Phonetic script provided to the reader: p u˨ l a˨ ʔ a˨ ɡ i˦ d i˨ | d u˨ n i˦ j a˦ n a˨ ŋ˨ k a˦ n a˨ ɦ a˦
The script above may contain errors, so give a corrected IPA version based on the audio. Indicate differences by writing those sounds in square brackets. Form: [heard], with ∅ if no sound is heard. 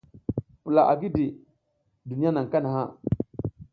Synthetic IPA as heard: p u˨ l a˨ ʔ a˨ ɡ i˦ d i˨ | d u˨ n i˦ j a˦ n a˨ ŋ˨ k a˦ n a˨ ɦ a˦

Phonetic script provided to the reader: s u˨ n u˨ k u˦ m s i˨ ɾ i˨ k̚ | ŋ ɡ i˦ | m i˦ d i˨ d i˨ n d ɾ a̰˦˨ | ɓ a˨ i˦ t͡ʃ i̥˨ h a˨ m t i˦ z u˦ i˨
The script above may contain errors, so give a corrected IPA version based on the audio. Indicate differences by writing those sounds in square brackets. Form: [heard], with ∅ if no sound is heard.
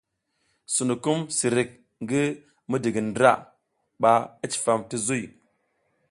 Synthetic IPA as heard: s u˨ n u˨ k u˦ m s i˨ ɾ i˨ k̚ | ŋ ɡ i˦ | m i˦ d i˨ [ɡ] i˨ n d ɾ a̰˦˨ | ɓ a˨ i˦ t͡ʃ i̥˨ [f] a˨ m t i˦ z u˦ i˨

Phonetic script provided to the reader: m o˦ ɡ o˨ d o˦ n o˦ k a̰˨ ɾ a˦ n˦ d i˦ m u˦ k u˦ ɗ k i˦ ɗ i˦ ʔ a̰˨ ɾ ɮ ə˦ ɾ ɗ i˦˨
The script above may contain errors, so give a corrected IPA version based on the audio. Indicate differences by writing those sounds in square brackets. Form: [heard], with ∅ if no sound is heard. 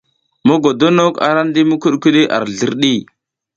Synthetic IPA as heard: m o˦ ɡ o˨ d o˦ n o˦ k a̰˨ ɾ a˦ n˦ d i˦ m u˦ k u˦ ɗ k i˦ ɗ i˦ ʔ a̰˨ ɾ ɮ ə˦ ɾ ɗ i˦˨

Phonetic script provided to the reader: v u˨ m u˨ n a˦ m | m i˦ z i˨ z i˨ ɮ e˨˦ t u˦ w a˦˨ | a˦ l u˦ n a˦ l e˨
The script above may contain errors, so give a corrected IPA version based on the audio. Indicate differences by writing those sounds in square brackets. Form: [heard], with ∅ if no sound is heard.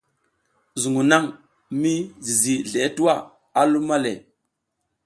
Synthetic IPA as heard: [z] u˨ [ŋ] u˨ n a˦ [ŋ] | m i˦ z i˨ z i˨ ɮ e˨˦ t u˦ w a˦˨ | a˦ l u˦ [m] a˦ l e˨

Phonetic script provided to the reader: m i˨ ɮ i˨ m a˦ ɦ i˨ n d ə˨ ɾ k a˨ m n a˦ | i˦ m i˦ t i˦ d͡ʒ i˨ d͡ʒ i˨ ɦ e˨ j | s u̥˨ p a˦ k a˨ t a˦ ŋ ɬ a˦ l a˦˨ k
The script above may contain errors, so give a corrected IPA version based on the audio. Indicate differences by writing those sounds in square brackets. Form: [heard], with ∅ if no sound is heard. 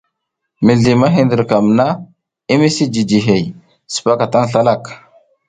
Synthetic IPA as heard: m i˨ ɮ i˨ m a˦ ɦ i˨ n d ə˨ ɾ k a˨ m n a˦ | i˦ m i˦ [s] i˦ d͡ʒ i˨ d͡ʒ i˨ ɦ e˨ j | s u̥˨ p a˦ k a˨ t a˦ ŋ ɬ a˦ l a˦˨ k

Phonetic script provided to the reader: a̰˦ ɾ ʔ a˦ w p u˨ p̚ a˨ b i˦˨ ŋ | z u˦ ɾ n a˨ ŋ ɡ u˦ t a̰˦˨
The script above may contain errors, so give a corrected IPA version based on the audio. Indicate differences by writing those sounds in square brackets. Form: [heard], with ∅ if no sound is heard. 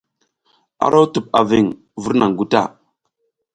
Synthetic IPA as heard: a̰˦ ɾ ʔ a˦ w [t] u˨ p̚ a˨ [v] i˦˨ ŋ | [v] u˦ ɾ n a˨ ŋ ɡ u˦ t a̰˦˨

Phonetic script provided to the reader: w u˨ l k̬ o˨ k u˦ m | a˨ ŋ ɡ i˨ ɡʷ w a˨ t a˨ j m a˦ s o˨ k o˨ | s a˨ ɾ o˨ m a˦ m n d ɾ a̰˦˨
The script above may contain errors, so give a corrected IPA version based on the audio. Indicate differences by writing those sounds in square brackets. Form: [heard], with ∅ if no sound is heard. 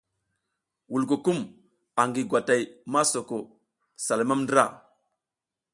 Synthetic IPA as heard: w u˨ l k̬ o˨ k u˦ m | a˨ ŋ ɡ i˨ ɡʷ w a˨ t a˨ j m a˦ s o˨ k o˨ | s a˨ [l] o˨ m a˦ m n d ɾ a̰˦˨

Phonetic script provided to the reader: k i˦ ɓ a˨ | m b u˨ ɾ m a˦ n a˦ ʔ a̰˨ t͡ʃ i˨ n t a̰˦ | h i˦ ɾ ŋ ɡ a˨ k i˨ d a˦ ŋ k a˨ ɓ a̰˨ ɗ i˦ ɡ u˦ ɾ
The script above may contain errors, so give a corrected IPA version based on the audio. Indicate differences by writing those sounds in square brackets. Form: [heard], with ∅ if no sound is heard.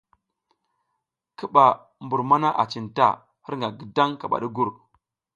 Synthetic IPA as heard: k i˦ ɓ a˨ | m b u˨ ɾ m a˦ n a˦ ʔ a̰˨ t͡ʃ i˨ n t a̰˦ | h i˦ ɾ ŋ ɡ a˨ [ɡ] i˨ d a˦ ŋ k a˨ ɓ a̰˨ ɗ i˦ ɡ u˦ ɾ

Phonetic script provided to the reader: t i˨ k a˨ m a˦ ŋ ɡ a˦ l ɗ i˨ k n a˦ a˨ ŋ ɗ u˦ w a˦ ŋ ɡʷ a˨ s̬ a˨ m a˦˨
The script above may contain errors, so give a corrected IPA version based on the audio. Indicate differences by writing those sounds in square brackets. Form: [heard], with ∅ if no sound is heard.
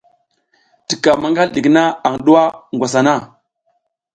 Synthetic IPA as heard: t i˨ k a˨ m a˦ ŋ ɡ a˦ l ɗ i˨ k n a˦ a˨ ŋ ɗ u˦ w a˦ ŋ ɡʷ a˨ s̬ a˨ [n] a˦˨

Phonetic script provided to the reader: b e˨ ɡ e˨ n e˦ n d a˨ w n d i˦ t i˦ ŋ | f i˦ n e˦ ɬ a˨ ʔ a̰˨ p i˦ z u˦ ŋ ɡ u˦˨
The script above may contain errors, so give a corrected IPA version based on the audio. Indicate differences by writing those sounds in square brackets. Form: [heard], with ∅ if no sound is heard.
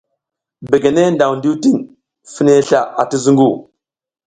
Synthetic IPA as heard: b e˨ ɡ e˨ n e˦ n d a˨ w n d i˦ t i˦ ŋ | f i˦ n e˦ ɬ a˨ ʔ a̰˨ [t] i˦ z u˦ ŋ ɡ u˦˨

